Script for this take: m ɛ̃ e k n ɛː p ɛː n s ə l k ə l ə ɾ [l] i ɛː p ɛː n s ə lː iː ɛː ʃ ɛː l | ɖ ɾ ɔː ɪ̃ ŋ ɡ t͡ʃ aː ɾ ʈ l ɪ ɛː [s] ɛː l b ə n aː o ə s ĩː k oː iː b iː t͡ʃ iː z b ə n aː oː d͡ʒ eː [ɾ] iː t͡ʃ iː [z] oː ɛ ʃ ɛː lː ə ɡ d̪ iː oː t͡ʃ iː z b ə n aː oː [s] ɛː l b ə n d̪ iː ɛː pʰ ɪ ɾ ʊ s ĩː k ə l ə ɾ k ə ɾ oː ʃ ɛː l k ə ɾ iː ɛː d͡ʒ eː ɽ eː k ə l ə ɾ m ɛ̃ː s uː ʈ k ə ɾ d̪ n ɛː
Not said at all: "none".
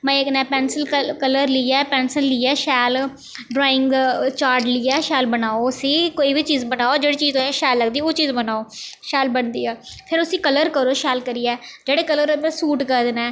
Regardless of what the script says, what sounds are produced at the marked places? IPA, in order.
l, ʃ, ɽ, z, ʃ

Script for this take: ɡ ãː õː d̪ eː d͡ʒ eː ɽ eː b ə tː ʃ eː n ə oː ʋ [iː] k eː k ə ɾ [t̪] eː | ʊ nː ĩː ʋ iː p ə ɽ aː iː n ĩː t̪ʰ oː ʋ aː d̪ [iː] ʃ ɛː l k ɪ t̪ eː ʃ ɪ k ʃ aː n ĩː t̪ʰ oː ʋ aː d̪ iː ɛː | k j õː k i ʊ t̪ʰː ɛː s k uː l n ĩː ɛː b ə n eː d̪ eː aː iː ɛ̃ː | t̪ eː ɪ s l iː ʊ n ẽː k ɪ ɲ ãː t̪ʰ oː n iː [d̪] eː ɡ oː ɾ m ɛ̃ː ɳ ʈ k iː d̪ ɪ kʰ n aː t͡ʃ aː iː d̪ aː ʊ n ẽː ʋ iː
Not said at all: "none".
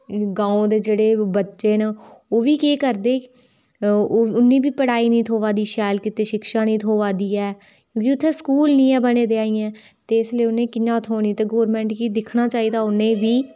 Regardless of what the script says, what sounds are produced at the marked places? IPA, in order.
iː, d̪, iː, t̪

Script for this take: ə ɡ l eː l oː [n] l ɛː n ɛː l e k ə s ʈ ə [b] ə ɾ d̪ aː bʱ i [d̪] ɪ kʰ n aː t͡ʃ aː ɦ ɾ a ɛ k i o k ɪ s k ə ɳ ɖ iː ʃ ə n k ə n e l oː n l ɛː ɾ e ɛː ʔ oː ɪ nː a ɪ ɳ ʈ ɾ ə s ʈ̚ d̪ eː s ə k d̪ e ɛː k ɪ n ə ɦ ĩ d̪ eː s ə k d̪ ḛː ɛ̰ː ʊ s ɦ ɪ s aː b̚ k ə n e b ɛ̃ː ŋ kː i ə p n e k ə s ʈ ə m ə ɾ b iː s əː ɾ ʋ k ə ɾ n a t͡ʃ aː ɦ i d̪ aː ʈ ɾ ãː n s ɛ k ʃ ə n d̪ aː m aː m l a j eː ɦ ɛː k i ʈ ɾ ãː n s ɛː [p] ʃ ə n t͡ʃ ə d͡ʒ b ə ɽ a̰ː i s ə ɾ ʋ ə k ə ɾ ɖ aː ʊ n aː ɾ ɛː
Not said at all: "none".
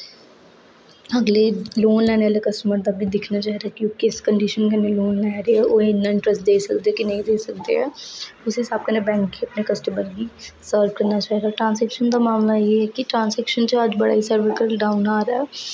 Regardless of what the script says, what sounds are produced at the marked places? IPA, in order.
n, m, d̪, k

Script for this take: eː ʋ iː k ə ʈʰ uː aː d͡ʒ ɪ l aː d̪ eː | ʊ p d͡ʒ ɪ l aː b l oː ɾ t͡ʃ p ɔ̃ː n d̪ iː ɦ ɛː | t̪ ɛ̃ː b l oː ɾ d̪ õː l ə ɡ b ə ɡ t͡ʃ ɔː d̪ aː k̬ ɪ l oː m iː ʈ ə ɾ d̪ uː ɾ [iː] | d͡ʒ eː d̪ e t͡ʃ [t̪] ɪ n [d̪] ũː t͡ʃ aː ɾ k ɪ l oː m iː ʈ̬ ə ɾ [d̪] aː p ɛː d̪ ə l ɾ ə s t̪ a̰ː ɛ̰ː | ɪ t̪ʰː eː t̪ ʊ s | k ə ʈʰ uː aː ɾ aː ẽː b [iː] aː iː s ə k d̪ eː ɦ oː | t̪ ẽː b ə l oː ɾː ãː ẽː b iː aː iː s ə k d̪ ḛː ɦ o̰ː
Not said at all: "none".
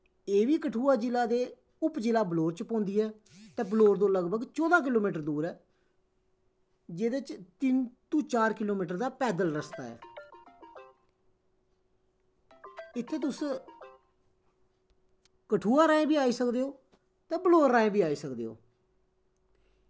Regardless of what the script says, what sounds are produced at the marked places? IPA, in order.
ɛː, t̪, t̪, d̪, iː

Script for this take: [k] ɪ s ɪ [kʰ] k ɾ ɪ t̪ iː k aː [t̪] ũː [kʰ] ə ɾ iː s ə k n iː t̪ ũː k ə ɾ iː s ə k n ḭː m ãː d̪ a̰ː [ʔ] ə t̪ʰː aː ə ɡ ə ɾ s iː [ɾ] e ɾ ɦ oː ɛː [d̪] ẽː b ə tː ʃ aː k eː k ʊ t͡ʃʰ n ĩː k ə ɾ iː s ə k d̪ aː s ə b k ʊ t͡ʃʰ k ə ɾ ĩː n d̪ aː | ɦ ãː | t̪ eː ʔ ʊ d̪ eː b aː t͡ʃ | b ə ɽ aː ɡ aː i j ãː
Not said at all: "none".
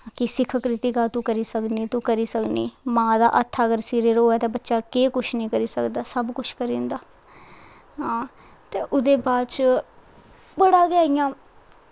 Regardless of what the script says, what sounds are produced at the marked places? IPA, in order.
k, kʰ, t̪, k, ʔ, ɾ, t̪

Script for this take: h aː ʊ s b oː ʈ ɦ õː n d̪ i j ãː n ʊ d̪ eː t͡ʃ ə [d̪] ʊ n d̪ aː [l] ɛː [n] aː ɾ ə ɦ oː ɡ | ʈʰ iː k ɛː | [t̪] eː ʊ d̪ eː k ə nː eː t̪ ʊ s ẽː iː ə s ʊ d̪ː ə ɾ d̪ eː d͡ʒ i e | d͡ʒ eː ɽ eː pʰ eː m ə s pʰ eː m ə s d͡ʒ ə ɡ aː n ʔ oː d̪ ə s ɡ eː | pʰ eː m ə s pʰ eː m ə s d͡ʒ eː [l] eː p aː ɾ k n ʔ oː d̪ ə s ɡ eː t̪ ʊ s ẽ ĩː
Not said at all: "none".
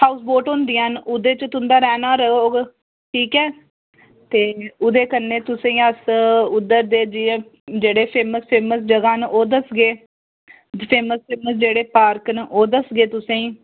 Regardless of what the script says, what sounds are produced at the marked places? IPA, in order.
t̪, ɾ, n, t̪, ɽ

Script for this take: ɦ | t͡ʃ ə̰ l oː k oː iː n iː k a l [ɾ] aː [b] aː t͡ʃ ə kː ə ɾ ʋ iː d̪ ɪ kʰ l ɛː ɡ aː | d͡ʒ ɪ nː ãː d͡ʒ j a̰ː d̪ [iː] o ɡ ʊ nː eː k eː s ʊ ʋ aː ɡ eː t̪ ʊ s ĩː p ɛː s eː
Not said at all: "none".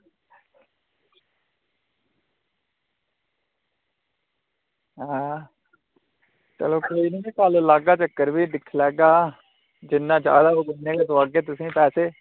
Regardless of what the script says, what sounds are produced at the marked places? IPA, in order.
l, ɡ, aː

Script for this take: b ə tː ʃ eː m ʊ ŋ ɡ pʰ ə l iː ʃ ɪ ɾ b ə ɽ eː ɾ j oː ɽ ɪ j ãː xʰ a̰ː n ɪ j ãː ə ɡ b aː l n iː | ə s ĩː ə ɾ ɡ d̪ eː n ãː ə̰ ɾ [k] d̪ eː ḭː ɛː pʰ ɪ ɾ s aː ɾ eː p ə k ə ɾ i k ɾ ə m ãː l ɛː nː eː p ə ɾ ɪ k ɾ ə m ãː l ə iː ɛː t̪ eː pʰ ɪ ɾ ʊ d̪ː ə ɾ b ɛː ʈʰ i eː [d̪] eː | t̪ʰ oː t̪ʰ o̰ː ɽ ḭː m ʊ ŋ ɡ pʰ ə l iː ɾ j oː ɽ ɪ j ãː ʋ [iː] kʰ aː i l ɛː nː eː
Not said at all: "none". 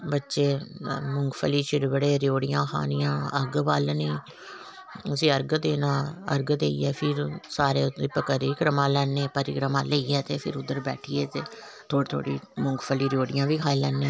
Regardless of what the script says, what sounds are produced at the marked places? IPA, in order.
ɡ, t̪, iː

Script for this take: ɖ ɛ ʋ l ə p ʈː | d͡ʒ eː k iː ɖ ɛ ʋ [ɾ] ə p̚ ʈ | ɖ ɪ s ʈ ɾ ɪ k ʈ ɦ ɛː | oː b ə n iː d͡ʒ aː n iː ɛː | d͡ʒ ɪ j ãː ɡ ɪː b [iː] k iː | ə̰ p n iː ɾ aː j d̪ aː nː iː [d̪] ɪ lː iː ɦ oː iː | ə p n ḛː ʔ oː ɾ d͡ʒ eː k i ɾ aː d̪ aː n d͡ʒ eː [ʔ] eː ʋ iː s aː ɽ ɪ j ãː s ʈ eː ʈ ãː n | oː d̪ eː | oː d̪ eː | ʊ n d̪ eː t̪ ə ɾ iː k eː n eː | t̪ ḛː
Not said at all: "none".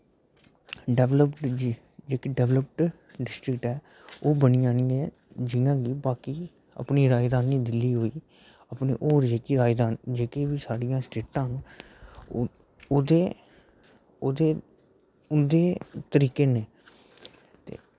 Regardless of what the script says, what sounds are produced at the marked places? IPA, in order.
l, aː, d̪, k

